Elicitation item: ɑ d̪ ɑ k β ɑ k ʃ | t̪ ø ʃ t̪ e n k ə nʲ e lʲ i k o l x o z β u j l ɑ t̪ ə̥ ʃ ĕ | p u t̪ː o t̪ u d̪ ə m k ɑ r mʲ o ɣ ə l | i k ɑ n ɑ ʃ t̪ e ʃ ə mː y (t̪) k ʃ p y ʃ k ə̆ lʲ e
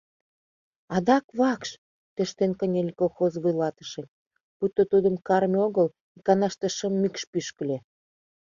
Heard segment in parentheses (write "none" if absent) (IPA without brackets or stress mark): none